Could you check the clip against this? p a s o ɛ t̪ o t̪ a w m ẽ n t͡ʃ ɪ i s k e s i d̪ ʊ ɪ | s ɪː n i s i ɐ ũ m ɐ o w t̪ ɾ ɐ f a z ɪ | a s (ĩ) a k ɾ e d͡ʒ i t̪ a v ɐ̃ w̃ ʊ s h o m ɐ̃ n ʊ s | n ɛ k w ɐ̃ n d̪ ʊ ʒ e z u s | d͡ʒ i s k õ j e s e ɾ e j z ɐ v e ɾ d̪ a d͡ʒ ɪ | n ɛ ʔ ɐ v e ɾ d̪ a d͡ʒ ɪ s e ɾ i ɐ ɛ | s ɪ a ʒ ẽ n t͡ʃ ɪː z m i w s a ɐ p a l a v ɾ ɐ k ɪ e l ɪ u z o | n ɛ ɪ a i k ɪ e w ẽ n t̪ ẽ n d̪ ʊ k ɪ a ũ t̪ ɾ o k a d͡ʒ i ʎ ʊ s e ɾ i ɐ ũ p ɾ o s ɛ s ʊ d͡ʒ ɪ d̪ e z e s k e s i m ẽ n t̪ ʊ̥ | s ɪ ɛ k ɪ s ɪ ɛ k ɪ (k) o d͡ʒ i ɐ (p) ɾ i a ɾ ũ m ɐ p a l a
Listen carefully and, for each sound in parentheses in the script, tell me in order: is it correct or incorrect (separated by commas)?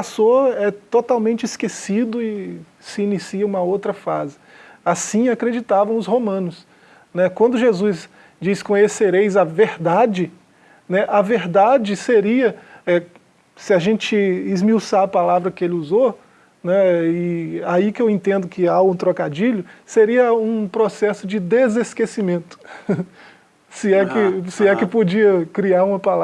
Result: correct, incorrect, incorrect